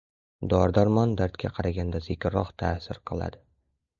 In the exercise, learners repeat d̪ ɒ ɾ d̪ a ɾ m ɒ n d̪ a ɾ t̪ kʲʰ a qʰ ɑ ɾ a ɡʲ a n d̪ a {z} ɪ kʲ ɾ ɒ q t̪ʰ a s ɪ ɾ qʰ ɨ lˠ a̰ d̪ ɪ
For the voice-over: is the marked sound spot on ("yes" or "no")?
yes